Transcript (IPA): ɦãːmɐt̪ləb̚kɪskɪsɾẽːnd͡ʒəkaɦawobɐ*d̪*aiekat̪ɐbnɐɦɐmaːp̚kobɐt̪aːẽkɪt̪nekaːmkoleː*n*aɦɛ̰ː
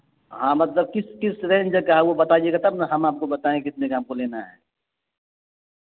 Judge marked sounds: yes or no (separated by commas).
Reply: no, yes